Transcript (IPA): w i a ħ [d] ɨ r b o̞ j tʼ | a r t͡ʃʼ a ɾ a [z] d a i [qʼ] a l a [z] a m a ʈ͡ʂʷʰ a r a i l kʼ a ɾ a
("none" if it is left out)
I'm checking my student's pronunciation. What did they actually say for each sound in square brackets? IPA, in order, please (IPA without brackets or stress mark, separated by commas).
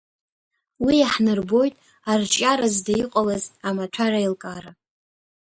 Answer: n, z, qʼ, z